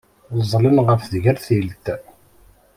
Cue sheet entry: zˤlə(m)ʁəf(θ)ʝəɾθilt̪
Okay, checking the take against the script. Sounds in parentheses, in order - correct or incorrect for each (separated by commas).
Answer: incorrect, incorrect